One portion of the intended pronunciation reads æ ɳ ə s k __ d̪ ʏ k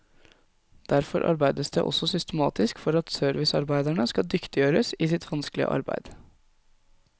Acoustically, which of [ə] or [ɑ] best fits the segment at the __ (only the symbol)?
ɑ